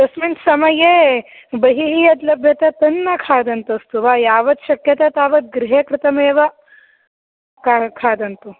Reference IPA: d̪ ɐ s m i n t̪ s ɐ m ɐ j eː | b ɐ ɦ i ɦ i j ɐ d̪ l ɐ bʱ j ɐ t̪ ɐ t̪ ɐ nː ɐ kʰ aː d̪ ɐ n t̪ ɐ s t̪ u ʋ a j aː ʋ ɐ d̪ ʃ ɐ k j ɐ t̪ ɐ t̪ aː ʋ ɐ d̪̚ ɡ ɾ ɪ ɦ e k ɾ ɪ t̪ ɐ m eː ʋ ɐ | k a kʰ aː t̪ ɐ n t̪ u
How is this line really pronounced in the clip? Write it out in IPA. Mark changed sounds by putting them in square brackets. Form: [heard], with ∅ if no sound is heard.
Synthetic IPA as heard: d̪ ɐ s m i n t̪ s ɐ m ɐ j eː | b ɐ ɦ i ɦ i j ɐ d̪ l ɐ bʱ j ɐ t̪ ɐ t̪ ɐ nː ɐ kʰ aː d̪ ɐ n t̪ ɐ s t̪ u ʋ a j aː ʋ ɐ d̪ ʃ ɐ k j ɐ t̪ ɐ t̪ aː ʋ ɐ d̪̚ ɡ ɾ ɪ ɦ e k ɾ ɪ t̪ ɐ m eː ʋ ɐ | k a kʰ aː [d̪] ɐ n t̪ u